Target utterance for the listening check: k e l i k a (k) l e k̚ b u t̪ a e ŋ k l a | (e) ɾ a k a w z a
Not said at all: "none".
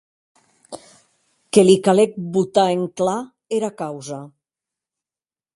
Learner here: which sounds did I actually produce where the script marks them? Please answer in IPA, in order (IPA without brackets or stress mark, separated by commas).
none, e